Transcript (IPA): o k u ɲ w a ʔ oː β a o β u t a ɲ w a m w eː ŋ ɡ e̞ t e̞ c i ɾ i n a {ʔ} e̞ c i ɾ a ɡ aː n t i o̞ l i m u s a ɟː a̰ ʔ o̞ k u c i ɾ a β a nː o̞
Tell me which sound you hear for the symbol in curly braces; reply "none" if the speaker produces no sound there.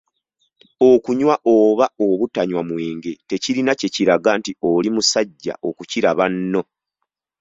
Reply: c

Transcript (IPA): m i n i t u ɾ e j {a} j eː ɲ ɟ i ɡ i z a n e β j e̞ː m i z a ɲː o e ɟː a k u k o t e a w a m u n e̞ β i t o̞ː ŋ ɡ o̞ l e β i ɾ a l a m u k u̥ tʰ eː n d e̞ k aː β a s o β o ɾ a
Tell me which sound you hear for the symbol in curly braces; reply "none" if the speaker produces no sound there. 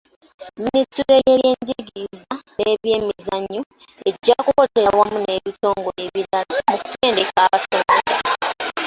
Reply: e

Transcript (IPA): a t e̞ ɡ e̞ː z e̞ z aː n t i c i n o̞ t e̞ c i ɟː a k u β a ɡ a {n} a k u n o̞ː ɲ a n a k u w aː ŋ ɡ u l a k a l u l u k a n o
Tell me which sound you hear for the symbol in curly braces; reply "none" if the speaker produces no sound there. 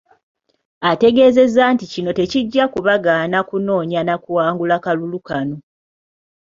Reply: n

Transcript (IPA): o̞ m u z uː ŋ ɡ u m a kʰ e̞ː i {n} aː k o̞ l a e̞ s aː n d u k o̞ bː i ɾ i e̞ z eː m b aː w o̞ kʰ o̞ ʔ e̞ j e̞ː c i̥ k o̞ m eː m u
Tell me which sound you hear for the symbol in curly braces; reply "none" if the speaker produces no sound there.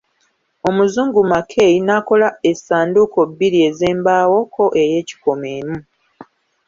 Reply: n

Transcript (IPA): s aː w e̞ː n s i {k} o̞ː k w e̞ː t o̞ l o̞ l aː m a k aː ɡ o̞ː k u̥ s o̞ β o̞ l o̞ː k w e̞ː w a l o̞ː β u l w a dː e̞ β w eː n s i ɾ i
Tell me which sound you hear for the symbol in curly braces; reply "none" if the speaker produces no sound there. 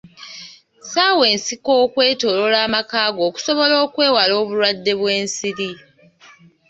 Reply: k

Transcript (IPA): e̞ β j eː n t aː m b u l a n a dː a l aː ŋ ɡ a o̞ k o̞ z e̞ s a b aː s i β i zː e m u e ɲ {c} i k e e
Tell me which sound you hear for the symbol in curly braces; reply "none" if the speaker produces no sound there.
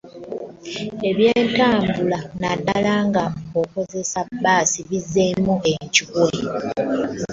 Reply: c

